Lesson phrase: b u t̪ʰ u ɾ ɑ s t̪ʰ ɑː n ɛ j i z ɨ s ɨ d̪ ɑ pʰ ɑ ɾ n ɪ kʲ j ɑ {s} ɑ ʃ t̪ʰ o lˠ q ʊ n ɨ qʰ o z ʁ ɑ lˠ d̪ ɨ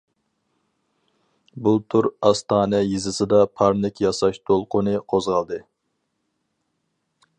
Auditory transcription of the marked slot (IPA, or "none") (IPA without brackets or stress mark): s